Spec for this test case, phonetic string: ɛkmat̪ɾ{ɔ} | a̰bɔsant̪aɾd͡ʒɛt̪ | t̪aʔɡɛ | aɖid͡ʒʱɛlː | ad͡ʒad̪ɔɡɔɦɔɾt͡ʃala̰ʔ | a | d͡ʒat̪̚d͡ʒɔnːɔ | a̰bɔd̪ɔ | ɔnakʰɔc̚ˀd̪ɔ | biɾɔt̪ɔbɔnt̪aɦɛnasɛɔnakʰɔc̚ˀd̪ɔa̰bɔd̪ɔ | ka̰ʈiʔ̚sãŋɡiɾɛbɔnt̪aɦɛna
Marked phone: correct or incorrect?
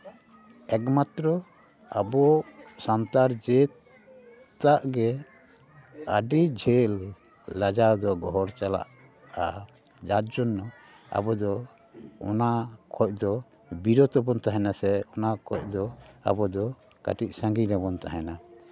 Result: correct